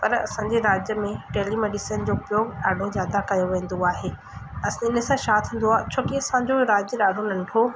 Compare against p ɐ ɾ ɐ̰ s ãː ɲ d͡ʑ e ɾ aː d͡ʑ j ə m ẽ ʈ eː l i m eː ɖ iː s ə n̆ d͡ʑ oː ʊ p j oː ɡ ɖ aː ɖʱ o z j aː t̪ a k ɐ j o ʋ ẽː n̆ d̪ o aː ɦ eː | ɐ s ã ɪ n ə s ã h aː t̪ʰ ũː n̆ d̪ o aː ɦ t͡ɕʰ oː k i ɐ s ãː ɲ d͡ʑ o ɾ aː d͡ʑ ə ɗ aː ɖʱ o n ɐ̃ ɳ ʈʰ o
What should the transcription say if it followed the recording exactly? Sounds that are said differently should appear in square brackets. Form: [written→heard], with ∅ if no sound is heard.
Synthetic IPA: p ɐ ɾ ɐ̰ s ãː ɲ d͡ʑ e ɾ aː d͡ʑ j ə m ẽ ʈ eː l i m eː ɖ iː s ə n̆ d͡ʑ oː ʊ p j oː ɡ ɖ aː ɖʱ o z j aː [t̪→d̪] a k ɐ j o ʋ ẽː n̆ d̪ o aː ɦ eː | ɐ s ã ɪ n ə s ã [h→ʃ] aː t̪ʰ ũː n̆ d̪ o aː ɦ t͡ɕʰ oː k i ɐ s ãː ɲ d͡ʑ o ɾ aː d͡ʑ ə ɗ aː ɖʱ o n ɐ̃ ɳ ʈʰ o